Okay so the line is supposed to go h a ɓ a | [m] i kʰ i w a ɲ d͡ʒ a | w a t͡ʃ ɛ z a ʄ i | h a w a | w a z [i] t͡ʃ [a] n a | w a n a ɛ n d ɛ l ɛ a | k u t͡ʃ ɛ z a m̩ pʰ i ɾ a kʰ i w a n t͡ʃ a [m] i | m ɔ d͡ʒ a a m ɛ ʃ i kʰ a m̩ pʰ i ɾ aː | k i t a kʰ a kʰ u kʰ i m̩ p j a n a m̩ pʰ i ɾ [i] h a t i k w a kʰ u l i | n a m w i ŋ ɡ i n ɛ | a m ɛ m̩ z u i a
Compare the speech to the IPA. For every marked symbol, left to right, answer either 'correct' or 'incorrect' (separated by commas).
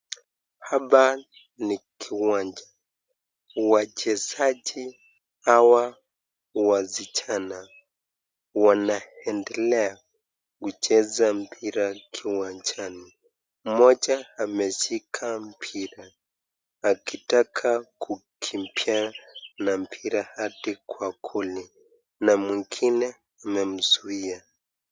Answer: incorrect, correct, correct, incorrect, incorrect